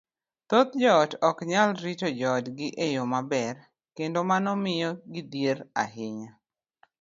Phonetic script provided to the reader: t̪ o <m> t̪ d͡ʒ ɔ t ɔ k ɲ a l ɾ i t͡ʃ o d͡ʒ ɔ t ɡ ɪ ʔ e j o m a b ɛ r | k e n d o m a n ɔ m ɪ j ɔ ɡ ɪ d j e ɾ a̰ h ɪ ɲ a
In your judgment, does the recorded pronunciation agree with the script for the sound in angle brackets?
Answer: no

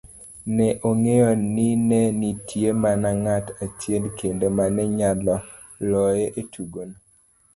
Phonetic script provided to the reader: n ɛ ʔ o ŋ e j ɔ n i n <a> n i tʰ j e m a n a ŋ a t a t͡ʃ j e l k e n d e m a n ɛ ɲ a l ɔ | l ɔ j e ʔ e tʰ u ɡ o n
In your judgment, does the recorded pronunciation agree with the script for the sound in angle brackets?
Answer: no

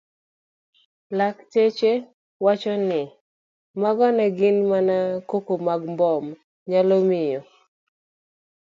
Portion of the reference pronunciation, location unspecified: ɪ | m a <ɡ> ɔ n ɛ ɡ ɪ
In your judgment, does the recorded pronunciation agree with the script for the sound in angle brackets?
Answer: yes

